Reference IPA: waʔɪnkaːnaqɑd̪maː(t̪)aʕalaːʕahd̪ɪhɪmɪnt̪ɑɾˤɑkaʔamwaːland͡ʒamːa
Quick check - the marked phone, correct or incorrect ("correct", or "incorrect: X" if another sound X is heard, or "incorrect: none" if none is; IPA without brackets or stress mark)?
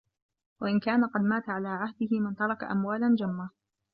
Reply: correct